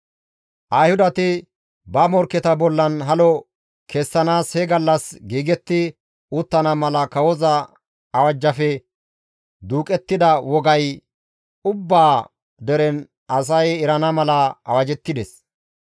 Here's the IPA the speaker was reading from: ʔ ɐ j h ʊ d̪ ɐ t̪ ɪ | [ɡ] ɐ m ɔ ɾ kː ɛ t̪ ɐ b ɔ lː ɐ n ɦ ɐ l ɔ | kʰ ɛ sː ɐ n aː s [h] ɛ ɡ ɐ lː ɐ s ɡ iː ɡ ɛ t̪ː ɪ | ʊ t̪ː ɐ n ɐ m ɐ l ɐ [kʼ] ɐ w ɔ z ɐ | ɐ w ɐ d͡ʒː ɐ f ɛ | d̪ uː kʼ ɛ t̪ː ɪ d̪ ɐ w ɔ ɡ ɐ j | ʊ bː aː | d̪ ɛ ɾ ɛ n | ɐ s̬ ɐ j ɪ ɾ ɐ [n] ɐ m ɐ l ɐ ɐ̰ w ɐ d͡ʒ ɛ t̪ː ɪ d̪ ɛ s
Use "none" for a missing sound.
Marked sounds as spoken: b, h, k, n

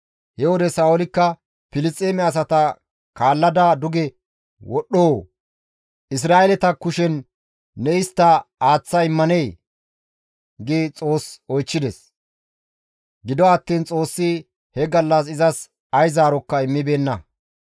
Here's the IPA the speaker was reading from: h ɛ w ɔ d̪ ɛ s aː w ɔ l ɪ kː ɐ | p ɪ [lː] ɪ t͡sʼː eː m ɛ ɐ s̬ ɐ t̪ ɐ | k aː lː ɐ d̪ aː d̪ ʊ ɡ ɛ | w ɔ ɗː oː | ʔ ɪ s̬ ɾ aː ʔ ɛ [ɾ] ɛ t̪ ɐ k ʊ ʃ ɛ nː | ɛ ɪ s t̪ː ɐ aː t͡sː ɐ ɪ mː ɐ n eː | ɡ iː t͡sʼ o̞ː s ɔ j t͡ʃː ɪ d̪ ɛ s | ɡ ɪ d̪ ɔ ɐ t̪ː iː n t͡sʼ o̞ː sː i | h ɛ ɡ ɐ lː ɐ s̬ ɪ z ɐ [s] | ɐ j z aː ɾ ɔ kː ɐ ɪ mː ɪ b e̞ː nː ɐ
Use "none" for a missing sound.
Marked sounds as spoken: l, l, s

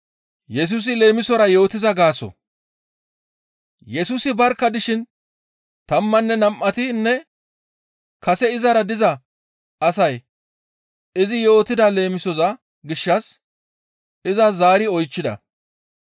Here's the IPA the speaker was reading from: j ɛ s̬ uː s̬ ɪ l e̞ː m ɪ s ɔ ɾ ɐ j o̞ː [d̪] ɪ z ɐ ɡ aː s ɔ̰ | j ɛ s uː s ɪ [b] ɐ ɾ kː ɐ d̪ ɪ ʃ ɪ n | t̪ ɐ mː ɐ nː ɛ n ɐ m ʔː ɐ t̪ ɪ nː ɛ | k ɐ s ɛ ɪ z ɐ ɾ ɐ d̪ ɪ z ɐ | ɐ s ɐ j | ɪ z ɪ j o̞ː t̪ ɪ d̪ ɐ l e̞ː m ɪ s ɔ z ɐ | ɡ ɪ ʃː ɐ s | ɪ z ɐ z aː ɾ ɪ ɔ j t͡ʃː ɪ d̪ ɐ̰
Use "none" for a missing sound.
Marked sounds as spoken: t̪, b

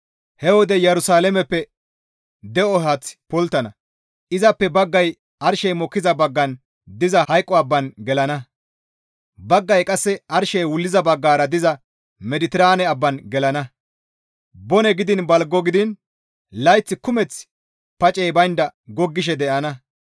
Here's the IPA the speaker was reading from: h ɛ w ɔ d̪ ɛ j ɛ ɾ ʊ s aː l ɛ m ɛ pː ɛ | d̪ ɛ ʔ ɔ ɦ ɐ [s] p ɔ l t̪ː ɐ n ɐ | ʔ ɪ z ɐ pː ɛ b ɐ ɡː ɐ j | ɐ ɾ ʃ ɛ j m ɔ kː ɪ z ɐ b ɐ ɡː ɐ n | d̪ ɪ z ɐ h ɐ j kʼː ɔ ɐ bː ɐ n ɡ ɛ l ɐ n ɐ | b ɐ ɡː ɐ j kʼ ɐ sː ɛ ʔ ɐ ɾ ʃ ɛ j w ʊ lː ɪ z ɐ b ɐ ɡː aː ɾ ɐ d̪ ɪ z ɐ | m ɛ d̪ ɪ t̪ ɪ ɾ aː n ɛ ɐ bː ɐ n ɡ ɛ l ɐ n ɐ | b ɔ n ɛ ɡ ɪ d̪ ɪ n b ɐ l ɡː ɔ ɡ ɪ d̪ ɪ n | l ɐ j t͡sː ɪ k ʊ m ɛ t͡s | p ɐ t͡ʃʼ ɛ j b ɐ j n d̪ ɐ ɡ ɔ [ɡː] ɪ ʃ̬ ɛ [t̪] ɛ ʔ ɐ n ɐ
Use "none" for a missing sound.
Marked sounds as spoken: t͡s, ɡː, d̪

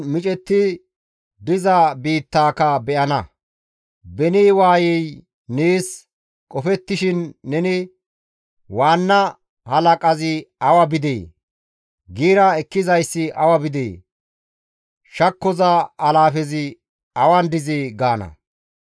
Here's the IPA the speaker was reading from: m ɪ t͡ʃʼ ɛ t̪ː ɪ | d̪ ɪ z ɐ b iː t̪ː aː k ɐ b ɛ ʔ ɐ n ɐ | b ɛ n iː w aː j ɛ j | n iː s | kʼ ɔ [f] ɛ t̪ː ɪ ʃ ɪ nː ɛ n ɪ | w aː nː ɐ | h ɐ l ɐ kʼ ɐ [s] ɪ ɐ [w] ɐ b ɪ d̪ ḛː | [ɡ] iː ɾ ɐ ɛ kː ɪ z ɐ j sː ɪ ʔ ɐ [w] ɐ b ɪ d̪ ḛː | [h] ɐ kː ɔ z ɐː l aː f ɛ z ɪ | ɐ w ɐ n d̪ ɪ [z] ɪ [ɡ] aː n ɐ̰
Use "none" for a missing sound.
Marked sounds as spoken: f, z, w, ɡ, w, ʃ, z, ɡ

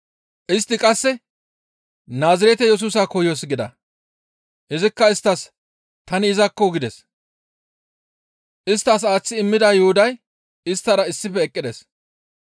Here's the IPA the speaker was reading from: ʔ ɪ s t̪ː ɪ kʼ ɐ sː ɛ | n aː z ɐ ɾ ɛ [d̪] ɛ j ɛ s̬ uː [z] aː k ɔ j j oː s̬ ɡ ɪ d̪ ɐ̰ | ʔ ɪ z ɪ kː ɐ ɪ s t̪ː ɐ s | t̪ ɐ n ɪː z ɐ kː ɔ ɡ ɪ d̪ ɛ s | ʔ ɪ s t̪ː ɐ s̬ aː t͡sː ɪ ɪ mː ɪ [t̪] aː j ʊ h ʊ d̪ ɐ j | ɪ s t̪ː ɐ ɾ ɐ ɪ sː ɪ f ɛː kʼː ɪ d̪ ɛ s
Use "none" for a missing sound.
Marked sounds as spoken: t̪, s, d̪

